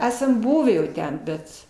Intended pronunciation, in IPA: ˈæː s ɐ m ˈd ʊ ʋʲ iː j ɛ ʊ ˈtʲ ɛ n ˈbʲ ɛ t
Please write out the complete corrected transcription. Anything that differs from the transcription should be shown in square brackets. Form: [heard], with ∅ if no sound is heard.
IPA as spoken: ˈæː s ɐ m [ˈb] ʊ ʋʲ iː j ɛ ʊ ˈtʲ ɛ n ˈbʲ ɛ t